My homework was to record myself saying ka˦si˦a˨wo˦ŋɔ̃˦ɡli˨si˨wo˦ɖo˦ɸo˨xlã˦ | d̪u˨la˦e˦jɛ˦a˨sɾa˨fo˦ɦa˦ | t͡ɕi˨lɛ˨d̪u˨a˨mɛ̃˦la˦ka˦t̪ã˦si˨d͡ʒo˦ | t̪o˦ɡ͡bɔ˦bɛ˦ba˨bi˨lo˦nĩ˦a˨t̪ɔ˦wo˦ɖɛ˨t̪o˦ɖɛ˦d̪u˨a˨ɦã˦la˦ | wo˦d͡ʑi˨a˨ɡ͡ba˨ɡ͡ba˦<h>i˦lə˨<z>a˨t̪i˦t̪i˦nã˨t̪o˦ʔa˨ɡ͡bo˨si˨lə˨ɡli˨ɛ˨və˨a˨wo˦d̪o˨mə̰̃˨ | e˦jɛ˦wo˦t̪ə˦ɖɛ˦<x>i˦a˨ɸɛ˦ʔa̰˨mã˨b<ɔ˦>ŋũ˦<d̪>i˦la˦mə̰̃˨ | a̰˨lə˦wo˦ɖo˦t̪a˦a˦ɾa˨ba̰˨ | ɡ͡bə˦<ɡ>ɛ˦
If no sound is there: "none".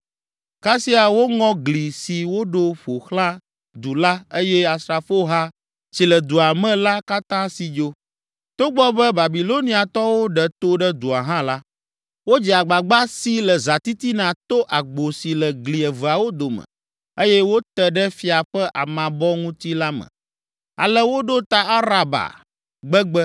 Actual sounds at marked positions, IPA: s, z, f, ɔ˦, t̪, ɡ͡b

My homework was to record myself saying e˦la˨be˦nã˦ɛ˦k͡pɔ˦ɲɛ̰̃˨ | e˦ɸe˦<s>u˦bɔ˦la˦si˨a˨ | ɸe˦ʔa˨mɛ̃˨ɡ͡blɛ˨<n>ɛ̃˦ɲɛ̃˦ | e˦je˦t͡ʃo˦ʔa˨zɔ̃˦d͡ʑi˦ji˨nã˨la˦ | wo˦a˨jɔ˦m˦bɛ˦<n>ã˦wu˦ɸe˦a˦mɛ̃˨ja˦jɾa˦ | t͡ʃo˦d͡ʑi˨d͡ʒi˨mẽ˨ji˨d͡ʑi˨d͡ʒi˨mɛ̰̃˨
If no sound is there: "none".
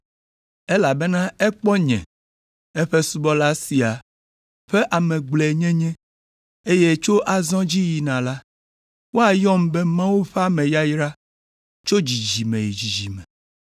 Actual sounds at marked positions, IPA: s, ɲ, m

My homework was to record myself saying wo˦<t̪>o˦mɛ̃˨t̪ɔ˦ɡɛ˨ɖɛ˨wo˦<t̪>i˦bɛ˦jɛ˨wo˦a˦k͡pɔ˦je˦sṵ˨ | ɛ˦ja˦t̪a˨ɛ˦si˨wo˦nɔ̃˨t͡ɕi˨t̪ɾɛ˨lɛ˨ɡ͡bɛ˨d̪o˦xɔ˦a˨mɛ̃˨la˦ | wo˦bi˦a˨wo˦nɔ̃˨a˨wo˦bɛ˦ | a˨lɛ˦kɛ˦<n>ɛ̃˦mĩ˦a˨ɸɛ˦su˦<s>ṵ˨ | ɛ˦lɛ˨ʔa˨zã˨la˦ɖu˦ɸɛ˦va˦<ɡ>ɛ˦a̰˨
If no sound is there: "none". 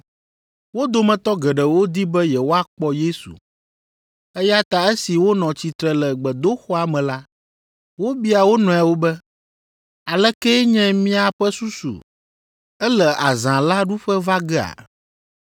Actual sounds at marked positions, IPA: d̪, d̪, ɲ, s, ɡ

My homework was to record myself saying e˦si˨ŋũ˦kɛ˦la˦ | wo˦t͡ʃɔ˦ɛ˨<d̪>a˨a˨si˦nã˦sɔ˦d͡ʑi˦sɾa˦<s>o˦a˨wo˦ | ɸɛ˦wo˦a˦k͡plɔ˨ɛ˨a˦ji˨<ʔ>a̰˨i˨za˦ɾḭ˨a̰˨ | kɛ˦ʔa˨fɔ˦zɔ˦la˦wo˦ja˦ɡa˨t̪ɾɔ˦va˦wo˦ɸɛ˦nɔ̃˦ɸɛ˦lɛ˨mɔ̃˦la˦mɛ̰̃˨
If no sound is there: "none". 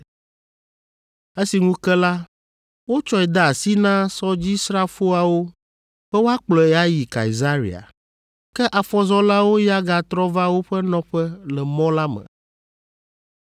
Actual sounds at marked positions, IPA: d̪, f, k

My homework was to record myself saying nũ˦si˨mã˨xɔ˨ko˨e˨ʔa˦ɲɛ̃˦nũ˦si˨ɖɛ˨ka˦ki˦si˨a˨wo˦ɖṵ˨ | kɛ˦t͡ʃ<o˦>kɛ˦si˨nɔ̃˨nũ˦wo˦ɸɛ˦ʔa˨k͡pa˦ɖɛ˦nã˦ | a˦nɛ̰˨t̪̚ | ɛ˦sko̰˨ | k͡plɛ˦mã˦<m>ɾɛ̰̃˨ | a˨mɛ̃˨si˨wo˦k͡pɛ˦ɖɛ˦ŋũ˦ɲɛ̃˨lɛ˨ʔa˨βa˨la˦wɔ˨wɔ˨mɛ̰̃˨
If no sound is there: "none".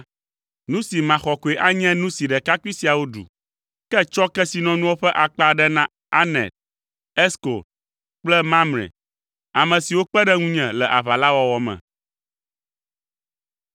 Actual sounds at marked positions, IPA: ɔ˦, m

